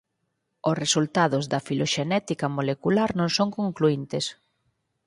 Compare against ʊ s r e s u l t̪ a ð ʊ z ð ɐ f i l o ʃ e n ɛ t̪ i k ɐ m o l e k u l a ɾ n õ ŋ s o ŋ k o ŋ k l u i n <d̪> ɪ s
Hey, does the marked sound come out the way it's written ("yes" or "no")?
no